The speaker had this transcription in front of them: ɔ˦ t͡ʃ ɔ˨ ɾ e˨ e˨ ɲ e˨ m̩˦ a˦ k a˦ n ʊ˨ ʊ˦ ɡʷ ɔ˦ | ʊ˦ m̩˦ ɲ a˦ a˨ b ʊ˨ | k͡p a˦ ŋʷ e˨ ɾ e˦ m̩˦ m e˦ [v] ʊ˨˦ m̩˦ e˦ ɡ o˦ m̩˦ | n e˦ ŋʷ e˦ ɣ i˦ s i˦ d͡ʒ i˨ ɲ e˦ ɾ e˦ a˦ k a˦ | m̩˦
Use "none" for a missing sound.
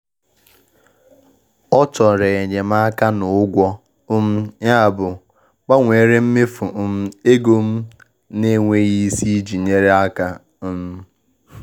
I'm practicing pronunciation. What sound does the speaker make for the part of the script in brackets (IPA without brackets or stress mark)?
f